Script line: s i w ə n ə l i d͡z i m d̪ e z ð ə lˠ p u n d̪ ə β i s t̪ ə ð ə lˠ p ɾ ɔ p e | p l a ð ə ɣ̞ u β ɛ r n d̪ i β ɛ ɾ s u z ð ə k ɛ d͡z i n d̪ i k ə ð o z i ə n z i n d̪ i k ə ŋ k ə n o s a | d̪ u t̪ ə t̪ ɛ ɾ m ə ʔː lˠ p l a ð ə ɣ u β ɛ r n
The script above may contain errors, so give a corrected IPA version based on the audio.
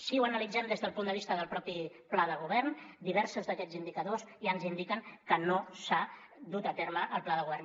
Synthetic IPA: s i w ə n ə l i d͡z ɛ m d̪ e z ð ə lˠ p u n d̪ ə β i s t̪ ə ð ə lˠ p ɾ ɔ p i | p l a ð ə ɣ̞ u β ɛ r n d̪ i β ɛ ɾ s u z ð ə k ɛ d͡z i n d̪ i k ə ð o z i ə n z i n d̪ i k ə ŋ k ə n o s a | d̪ u t̪ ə t̪ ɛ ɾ m ə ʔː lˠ p l a ð ə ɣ u β ɛ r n